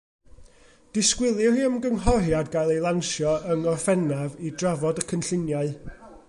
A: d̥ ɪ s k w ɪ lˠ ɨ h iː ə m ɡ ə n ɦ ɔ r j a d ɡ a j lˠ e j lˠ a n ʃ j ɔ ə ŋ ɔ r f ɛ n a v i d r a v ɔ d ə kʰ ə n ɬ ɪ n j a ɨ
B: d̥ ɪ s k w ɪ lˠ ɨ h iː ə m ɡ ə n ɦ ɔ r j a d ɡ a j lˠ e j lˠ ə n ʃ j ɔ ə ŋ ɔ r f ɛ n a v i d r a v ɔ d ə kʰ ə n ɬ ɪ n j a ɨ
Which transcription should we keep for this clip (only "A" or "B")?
A